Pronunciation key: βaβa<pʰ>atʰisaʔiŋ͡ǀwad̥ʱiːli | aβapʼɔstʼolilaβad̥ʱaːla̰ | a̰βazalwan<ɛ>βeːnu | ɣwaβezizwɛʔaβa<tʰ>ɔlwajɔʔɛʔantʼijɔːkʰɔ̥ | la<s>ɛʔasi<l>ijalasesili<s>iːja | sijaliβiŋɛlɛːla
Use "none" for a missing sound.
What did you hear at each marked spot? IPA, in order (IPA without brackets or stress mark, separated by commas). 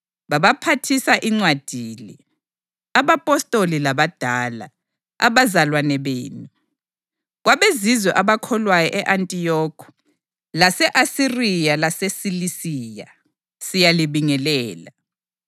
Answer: pʰ, ɛ, kʰ, s, r, s